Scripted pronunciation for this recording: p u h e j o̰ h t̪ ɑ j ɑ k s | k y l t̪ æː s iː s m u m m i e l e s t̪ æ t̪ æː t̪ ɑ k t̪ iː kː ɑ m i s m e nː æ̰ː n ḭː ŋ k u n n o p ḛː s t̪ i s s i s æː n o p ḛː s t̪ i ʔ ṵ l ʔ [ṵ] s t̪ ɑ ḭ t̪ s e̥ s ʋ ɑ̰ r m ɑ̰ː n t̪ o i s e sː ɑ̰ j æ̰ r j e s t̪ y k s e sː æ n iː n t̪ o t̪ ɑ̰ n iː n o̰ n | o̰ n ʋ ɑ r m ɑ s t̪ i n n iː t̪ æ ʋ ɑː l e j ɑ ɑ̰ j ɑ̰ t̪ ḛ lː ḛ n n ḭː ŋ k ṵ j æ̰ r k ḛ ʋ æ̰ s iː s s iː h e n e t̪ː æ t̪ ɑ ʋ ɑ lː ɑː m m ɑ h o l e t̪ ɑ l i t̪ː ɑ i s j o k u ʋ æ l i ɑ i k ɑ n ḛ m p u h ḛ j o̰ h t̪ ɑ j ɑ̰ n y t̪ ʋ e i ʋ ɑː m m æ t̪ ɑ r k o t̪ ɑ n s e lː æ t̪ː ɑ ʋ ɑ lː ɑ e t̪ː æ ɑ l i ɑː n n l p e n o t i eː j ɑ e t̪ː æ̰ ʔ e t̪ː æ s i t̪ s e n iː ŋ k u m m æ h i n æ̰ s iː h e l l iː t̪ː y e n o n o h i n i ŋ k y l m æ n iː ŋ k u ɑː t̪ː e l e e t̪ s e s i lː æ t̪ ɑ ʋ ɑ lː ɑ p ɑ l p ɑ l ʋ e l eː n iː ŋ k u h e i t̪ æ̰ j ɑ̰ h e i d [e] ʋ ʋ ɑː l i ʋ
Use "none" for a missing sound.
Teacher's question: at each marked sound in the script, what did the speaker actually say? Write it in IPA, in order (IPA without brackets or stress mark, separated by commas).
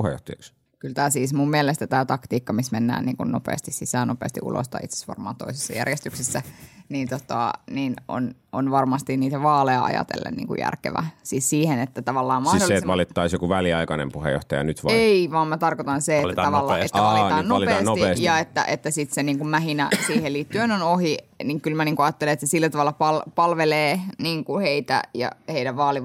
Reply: o̰, æ